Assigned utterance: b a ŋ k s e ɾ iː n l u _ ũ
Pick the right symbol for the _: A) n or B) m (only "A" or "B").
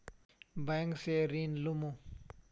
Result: B